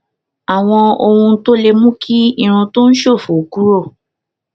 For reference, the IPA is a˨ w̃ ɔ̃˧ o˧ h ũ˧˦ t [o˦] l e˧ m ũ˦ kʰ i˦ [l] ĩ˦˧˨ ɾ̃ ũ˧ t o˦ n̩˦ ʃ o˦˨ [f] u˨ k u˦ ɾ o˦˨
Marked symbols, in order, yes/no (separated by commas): yes, no, yes